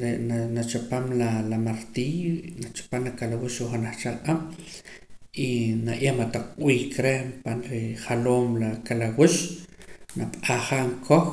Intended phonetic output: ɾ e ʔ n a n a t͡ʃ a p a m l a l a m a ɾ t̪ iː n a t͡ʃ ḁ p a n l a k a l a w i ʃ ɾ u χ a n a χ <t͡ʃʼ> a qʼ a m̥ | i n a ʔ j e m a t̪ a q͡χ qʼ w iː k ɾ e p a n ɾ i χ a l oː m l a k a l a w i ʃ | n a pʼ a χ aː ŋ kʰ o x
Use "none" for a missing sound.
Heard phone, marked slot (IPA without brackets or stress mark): t͡ʃ